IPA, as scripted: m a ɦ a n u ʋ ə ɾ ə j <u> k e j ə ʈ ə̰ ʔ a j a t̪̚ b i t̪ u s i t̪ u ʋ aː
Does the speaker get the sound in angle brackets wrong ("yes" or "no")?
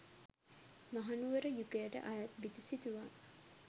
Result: no